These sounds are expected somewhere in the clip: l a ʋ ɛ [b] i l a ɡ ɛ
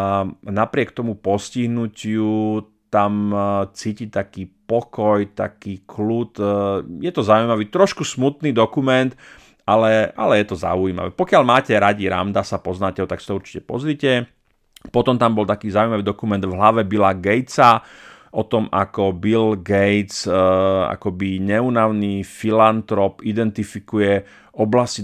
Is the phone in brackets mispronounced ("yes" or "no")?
no